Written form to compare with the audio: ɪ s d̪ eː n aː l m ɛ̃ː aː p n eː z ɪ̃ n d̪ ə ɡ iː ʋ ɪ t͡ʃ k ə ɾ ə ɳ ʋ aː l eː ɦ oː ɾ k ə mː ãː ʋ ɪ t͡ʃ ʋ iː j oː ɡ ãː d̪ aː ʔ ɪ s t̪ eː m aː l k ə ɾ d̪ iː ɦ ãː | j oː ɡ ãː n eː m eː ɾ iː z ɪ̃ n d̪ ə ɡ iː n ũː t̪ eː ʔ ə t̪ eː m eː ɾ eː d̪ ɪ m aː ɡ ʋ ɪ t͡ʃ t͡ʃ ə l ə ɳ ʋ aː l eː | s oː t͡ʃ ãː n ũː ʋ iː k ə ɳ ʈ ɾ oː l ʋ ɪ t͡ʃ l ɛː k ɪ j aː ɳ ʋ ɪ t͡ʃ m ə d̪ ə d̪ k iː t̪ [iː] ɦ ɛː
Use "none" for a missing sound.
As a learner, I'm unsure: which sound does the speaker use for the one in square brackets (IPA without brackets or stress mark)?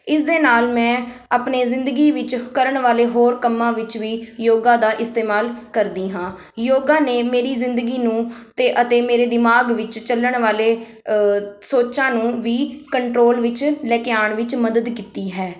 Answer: iː